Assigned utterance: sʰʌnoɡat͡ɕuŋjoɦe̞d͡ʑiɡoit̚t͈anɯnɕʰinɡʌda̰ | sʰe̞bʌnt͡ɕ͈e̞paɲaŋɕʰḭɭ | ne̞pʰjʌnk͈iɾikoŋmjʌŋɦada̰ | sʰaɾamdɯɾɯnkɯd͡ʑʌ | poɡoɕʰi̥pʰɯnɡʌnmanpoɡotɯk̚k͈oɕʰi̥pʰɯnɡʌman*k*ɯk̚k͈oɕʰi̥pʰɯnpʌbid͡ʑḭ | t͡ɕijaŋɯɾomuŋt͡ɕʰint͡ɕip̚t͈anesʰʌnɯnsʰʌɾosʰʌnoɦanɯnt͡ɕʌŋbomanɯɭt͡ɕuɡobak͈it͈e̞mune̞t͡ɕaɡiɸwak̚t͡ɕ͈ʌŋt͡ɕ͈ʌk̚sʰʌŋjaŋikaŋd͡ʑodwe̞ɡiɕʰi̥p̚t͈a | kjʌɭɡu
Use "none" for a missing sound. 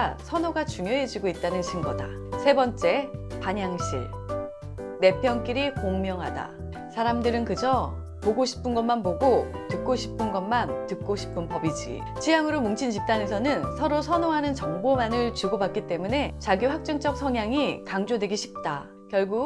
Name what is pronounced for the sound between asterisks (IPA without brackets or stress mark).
t